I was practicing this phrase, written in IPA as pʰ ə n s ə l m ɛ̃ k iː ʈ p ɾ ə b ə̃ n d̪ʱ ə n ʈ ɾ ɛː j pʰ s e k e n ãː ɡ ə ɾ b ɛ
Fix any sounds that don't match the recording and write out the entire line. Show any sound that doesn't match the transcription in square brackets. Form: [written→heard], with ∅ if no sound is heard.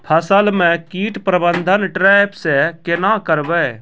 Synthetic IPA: pʰ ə [n→∅] s ə l m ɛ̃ k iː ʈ p ɾ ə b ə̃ n d̪ʱ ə n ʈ ɾ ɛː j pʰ s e k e n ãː [ɡ→k] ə ɾ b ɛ

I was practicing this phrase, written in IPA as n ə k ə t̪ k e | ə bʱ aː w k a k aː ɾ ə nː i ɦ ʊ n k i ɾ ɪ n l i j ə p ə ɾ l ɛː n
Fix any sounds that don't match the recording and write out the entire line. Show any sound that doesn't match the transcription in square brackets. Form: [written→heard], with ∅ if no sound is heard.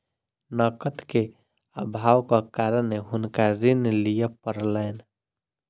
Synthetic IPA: n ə k ə t̪ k e | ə bʱ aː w k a k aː ɾ ə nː [i→e] ɦ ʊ n k [i→a] ɾ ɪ n l i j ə p ə ɾ l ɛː n

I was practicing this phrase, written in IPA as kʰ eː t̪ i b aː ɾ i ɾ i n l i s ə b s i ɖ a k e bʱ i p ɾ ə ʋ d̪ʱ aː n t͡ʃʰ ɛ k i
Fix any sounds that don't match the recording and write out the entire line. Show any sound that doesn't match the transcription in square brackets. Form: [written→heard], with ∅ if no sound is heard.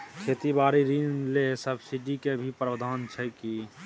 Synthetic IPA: kʰ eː t̪ i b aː ɾ i ɾ i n l [i→e] s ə b s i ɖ [a→i] k e bʱ i p ɾ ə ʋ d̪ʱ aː n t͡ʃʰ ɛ k i

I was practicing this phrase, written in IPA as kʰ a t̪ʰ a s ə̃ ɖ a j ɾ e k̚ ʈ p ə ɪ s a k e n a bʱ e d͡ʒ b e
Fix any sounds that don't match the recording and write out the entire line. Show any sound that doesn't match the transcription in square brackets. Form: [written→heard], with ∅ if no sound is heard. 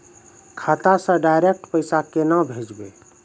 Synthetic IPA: kʰ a [t̪ʰ→t̪] a s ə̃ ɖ a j ɾ e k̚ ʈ p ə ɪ s a k e n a bʱ e d͡ʒ b e

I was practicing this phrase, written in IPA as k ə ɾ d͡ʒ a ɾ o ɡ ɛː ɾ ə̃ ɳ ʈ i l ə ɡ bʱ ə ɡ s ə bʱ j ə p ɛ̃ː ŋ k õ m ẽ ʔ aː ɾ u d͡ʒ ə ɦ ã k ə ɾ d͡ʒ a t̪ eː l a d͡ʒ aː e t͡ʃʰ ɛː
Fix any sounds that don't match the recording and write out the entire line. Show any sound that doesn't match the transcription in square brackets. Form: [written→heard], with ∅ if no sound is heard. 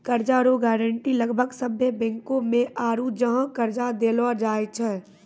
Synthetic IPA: k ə ɾ d͡ʒ a ɾ o ɡ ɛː ɾ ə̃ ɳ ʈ i l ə ɡ bʱ ə ɡ s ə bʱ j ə [p→b] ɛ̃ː ŋ k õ m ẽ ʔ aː ɾ u d͡ʒ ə ɦ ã k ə ɾ d͡ʒ a [t̪→d̪] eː l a d͡ʒ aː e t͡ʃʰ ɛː

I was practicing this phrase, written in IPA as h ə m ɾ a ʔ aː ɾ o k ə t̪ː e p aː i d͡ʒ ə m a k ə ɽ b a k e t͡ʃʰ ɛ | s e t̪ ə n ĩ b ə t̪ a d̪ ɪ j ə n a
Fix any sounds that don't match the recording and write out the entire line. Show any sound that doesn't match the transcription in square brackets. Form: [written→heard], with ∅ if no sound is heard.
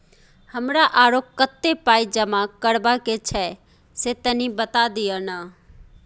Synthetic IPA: h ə m ɾ a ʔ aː ɾ o k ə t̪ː e p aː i d͡ʒ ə m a k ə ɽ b a k e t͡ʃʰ ɛ | s e t̪ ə n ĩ b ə t̪ a d̪ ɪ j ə n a

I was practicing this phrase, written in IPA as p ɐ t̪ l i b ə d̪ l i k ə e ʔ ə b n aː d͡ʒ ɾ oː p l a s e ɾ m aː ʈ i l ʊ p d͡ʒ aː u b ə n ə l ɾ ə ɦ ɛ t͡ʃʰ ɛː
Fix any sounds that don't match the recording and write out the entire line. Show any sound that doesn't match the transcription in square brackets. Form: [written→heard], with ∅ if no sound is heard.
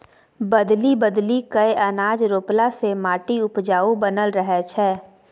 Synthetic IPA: [p→b] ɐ [t̪→d̪] l i b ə d̪ l i k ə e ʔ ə [b→∅] n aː d͡ʒ ɾ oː p l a s e [ɾ→∅] m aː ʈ i [l→∅] ʊ p d͡ʒ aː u b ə n ə l ɾ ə ɦ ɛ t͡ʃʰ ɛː

